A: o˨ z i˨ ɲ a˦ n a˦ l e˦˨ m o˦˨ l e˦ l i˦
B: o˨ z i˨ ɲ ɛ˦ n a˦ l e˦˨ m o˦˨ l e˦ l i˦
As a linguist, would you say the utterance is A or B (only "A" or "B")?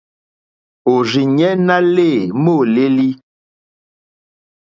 B